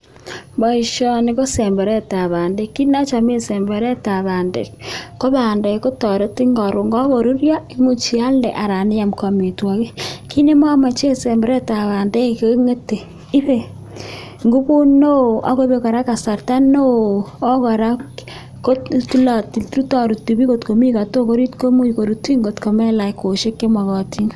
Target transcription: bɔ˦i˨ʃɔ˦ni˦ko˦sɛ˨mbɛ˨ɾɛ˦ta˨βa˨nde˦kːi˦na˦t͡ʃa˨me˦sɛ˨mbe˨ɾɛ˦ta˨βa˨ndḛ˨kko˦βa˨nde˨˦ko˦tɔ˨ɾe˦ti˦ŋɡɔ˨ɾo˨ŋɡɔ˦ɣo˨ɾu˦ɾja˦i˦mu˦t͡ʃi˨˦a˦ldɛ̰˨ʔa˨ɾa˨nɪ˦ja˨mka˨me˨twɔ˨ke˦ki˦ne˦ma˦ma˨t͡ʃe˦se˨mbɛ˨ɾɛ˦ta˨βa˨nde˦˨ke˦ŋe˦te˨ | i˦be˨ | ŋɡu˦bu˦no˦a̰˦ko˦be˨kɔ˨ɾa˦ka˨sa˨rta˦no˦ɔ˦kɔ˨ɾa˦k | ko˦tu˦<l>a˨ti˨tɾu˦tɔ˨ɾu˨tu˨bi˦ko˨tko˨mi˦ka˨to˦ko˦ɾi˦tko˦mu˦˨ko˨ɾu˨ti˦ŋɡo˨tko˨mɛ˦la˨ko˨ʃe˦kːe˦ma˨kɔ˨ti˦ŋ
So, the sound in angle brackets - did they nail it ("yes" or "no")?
yes